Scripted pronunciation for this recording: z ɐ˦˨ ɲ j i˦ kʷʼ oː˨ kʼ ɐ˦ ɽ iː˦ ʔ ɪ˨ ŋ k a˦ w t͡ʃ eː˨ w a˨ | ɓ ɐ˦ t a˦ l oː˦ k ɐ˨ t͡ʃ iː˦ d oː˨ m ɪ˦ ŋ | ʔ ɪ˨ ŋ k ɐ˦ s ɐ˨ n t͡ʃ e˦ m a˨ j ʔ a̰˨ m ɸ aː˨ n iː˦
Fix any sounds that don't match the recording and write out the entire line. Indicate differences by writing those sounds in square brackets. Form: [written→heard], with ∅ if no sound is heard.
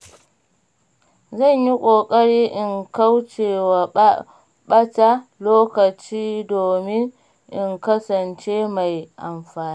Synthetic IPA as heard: z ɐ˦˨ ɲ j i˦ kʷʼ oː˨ kʼ ɐ˦ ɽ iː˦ ʔ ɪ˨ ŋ k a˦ w t͡ʃ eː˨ w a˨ | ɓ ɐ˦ t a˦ l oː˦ k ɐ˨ t͡ʃ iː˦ d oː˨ m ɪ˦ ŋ | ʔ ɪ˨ ŋ k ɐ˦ s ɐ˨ n t͡ʃ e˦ m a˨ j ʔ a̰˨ m ɸ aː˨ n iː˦